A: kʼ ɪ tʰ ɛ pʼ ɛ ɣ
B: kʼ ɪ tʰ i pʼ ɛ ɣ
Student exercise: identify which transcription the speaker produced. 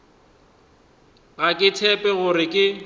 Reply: A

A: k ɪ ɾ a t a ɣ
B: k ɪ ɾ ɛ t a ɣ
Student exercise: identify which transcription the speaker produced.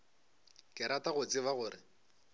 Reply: A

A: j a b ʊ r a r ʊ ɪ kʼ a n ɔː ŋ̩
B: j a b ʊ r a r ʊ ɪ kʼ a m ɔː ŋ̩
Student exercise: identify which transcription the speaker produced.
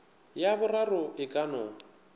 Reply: A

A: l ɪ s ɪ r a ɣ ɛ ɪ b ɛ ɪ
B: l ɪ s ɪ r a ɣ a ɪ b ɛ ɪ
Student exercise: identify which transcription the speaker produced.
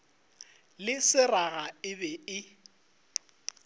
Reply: B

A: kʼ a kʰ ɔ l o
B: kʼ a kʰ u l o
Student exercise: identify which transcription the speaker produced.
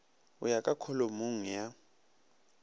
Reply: A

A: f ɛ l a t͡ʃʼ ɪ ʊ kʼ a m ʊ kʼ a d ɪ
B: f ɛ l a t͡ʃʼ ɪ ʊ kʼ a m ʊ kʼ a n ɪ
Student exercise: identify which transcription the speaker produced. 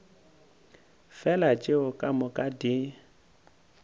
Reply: A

